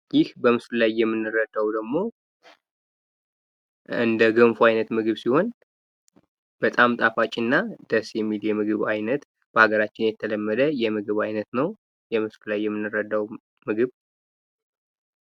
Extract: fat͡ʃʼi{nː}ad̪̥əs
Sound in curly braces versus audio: correct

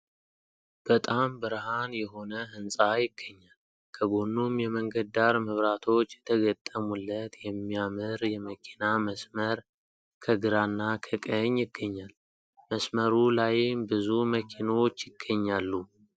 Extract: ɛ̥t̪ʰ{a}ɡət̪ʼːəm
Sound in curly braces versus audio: incorrect: ə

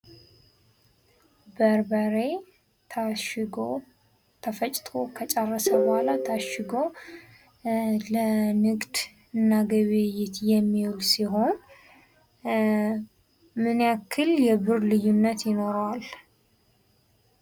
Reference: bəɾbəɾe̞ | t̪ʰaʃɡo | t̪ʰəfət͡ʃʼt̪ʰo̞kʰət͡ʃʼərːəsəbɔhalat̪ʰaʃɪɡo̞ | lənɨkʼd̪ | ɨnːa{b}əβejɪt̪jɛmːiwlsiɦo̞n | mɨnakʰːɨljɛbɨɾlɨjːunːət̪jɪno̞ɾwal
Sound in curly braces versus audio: incorrect: ɡ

